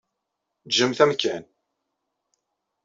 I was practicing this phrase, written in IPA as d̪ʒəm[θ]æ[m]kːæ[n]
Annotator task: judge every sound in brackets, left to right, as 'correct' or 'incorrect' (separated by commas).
correct, correct, correct